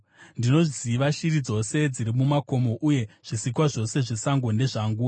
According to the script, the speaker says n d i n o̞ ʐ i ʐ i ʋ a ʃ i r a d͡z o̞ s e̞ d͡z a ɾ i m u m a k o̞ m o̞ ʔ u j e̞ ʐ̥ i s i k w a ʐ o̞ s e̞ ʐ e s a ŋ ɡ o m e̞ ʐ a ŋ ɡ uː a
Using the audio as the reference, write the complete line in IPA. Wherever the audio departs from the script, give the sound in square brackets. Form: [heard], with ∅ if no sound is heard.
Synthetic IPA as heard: n d i n o̞ ʐ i [z] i ʋ a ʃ i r [i] d͡z o̞ s e̞ d͡z [i] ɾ i m u m a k o̞ m o̞ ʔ u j e̞ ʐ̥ i s i k w a ʐ o̞ s e̞ ʐ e s a ŋ ɡ o [n] e̞ ʐ a ŋ ɡ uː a